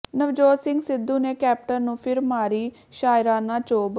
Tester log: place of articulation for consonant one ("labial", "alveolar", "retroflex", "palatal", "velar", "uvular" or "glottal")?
alveolar